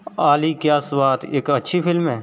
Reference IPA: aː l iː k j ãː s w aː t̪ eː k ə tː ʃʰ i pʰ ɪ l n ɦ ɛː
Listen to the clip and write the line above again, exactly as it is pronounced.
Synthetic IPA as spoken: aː l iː k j aː s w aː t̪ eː k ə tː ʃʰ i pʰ ɪ l m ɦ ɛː